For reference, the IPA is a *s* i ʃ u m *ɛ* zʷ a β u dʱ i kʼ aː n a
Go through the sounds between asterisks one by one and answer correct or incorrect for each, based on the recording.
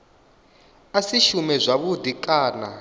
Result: correct, correct

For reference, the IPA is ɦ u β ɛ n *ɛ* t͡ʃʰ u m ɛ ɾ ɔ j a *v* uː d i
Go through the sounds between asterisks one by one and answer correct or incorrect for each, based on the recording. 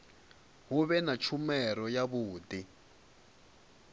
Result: incorrect, incorrect

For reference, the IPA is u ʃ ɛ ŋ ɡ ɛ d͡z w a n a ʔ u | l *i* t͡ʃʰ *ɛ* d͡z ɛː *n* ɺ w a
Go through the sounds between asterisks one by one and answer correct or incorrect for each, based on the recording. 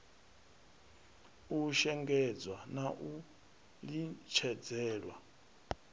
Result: correct, correct, incorrect

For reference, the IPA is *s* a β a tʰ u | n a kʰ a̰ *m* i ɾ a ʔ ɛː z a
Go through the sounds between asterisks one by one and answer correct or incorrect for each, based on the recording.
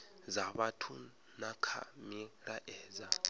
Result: incorrect, correct

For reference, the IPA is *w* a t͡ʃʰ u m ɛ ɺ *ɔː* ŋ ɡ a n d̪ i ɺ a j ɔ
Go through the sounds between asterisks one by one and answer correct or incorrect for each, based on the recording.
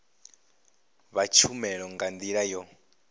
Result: incorrect, incorrect

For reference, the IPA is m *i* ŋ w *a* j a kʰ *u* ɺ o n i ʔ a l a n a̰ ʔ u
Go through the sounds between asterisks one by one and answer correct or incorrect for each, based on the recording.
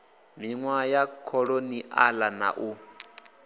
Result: correct, correct, incorrect

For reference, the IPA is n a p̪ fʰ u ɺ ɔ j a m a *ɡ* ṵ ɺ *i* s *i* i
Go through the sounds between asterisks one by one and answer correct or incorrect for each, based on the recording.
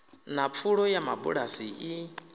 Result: incorrect, incorrect, correct

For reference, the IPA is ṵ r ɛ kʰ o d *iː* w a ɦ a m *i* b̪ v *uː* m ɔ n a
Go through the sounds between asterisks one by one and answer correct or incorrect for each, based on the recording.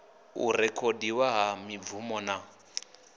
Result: incorrect, correct, incorrect

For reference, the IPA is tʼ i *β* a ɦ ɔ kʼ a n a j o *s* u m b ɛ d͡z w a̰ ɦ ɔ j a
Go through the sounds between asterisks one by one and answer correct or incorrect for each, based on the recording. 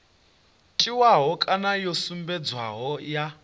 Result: incorrect, correct

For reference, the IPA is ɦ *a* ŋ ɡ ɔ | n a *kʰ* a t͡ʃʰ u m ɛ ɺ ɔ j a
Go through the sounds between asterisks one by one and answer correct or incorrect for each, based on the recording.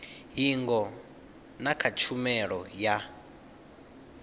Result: incorrect, correct

